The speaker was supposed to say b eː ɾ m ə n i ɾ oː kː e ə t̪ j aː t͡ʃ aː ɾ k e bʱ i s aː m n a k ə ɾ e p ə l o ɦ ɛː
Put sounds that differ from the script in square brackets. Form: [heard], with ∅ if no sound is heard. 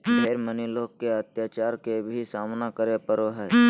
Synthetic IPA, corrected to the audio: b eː ɾ m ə n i [l] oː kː e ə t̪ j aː t͡ʃ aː ɾ k e bʱ i s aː m n a k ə ɾ e p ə [ɾ] o ɦ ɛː